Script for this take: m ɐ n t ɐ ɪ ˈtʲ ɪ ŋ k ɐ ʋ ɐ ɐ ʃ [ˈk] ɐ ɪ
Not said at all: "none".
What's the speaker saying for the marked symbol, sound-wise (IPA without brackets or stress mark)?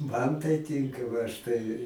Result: t